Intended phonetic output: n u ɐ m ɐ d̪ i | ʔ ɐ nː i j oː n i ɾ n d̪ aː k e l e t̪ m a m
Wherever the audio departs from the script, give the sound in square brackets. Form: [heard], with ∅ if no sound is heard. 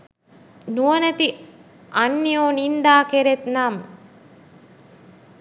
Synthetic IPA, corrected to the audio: n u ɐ [n] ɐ [t̪] i | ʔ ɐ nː i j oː n i [∅] n d̪ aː k e [ɾ] e t̪ [n] a m